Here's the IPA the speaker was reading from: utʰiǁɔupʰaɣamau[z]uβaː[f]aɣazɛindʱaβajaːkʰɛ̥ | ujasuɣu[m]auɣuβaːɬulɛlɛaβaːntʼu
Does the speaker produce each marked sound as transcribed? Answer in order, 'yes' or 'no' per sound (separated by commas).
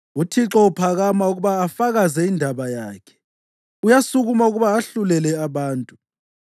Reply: no, yes, yes